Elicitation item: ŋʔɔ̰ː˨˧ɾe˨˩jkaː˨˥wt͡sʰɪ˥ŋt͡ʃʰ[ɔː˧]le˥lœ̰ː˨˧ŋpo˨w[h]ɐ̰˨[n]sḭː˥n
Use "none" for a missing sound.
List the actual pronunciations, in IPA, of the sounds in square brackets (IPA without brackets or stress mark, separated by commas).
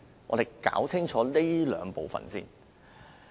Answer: ɔː˨˥, f, n